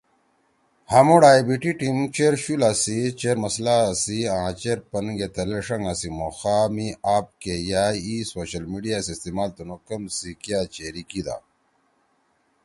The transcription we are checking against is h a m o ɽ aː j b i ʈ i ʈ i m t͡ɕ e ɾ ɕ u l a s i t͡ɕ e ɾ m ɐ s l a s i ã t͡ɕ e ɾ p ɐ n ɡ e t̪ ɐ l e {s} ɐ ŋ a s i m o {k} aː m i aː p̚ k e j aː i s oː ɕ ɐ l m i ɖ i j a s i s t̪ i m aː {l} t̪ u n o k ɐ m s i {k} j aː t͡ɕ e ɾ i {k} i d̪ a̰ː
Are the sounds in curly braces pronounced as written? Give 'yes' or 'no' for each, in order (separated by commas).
no, no, yes, yes, yes